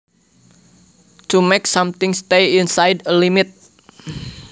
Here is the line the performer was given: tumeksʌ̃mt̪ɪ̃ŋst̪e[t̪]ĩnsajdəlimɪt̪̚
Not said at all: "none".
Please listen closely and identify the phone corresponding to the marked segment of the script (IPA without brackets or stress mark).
none